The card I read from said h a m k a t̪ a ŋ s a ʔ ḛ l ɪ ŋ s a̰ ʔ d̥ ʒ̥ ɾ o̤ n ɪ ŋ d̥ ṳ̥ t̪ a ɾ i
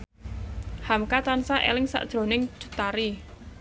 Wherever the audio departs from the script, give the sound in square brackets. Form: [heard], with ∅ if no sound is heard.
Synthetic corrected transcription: h a m k a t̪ a [n] s a ʔ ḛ l ɪ ŋ s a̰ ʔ d̥ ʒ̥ ɾ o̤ n ɪ ŋ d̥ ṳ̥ t̪ a ɾ i

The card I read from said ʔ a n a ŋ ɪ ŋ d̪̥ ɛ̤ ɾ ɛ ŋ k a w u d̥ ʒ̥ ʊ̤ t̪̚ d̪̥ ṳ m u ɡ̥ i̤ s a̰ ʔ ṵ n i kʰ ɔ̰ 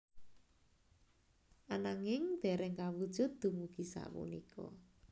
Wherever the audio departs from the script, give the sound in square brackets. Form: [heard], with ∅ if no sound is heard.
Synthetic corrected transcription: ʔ a n a ŋ ɪ ŋ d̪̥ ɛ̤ ɾ ɛ ŋ k a w u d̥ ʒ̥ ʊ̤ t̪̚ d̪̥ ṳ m u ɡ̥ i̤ s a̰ [p] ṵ n i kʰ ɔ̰

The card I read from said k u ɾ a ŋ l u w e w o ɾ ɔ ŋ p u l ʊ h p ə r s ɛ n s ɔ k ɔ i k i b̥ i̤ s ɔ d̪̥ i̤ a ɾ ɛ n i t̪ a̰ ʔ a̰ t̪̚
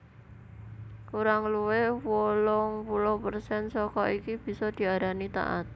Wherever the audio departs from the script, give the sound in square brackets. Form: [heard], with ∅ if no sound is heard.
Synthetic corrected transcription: k u ɾ a ŋ l u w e w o [l] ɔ ŋ p u l ʊ h p ə r s ɛ n s ɔ k ɔ i k i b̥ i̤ s ɔ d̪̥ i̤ a ɾ [a] n i t̪ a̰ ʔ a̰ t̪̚

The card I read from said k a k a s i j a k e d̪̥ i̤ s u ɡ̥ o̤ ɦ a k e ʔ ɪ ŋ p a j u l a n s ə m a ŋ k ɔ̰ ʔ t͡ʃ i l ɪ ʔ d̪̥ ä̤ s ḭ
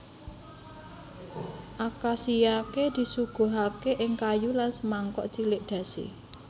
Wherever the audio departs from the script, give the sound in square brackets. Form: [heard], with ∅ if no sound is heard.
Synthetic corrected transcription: [ʔ] a k a s i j a k e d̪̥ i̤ s u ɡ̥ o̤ ɦ a k e ʔ ɪ ŋ [k] a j u l a n s ə m a ŋ k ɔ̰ ʔ t͡ʃ i l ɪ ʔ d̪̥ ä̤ s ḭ

